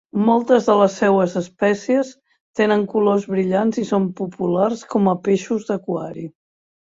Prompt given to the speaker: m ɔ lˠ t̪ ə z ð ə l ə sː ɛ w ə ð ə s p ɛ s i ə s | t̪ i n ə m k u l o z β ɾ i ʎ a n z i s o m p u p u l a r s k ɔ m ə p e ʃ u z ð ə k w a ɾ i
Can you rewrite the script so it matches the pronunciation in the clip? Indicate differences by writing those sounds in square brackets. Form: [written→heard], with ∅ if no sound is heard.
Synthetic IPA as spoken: m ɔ lˠ t̪ ə z ð ə l ə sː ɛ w ə [ð→z] ə s p ɛ s i ə s | t̪ [i→e] n ə [m→ŋ] k u l o z β ɾ i ʎ a n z i s o m p u p u l a r s k ɔ m ə p e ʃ u z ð ə k w a ɾ i